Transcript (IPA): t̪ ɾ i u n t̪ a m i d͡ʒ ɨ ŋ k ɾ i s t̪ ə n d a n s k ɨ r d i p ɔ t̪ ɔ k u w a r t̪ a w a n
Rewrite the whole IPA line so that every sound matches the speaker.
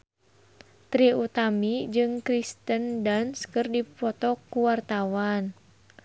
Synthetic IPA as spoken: t̪ ɾ i u t̪ a m i d͡ʒ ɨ ŋ k ɾ i s t̪ ə n d a n s k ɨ r d i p ɔ t̪ ɔ k u w a r t̪ a w a n